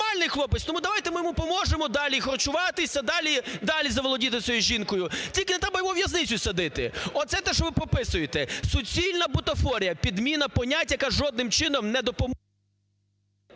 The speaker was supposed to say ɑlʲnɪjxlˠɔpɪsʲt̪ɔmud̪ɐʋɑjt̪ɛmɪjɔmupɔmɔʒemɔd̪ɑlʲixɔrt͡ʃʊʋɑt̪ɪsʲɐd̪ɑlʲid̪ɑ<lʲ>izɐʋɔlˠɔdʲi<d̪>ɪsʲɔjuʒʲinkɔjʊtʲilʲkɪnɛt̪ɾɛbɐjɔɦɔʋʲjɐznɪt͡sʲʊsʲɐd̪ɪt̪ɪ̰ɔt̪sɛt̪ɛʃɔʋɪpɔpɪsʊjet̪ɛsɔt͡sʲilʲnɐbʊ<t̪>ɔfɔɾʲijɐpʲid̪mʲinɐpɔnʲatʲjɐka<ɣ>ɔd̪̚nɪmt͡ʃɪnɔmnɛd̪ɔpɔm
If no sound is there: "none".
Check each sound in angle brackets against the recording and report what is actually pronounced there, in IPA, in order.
lʲ, t̪, t̪, ʒ

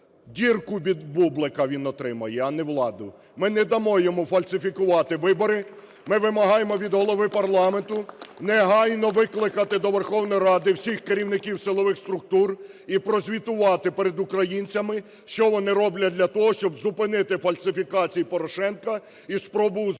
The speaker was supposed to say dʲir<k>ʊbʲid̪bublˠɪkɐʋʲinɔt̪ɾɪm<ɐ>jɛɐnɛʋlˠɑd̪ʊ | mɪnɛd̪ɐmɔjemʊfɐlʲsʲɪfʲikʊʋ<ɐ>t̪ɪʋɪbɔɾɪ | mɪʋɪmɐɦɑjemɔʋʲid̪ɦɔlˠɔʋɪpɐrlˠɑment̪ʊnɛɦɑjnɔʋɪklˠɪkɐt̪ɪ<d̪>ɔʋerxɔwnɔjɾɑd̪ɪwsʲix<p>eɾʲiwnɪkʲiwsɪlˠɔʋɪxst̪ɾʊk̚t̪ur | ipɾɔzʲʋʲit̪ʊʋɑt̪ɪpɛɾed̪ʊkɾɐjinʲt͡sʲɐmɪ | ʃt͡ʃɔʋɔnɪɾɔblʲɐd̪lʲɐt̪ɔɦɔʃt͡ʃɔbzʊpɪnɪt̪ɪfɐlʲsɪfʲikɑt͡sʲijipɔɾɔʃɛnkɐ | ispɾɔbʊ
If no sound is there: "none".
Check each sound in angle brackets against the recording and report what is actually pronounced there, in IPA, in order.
k, ɐ, ɑ, d̪, k

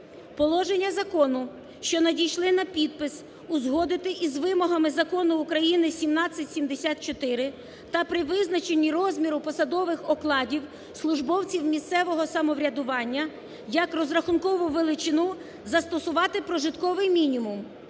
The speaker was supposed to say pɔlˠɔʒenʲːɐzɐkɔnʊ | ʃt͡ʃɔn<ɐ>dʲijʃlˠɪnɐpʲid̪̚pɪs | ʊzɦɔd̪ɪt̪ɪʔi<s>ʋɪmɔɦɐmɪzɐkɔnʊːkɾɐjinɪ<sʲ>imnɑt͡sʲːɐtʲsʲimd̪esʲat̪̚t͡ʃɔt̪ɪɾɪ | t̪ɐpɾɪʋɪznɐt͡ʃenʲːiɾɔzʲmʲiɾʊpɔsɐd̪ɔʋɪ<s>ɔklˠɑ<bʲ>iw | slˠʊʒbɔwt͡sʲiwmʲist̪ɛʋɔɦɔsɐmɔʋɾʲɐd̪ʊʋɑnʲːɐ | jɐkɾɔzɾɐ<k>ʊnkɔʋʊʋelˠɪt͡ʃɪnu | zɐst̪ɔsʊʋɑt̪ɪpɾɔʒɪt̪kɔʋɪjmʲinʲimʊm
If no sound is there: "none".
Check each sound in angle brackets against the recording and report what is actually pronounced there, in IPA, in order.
ɐ, z, sʲ, x, dʲ, x

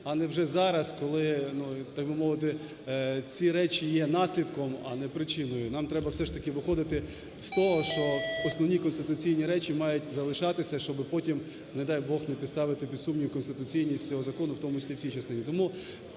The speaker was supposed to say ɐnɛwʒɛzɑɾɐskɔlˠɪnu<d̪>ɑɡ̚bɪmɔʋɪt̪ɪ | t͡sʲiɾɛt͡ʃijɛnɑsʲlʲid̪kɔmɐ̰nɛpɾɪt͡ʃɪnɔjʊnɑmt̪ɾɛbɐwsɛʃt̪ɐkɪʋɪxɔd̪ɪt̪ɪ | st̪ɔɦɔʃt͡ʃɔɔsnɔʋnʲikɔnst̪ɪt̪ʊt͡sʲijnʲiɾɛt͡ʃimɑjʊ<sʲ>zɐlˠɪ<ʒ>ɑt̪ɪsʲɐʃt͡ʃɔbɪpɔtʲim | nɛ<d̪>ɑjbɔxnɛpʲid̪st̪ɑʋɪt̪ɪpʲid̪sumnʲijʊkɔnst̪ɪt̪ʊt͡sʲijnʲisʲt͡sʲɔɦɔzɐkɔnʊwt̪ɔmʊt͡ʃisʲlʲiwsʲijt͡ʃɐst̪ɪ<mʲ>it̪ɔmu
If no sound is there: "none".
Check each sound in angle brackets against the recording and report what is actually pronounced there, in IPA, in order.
t̪, tʲ, ʃ, d̪, nʲ

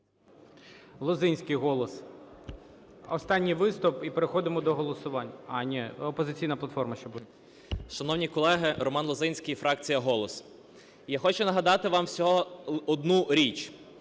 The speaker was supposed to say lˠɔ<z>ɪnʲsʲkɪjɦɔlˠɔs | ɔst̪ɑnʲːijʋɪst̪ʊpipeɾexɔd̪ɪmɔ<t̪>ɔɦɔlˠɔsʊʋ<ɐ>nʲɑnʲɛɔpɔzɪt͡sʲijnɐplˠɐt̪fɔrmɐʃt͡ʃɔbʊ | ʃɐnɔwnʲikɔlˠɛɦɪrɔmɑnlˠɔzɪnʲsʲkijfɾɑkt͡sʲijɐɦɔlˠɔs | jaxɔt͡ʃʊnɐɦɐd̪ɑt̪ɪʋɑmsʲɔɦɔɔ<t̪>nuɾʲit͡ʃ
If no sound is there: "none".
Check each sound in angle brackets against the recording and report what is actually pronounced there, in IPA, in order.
z, d̪, ɑ, d̪

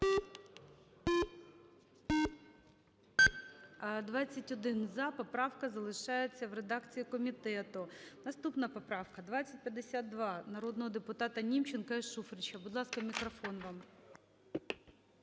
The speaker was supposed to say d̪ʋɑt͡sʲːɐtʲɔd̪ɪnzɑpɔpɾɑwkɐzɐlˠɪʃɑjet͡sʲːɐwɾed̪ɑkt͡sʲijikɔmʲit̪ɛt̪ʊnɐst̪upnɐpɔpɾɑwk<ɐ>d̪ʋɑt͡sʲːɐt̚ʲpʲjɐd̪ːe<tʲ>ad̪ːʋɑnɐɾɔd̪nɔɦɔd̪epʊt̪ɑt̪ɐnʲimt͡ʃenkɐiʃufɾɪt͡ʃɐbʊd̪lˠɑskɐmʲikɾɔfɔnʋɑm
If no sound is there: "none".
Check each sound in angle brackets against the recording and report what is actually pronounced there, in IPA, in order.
ɐ, sʲ

